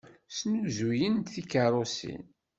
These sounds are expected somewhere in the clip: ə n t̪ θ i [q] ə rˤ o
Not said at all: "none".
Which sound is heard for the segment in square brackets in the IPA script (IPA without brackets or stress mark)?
k